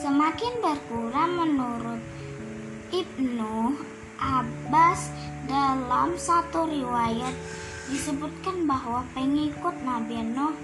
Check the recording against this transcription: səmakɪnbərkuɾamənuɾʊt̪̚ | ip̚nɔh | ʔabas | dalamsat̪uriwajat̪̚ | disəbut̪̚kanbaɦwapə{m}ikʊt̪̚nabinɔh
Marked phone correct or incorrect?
incorrect